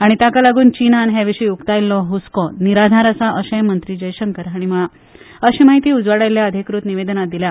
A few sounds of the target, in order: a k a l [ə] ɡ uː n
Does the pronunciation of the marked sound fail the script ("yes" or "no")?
yes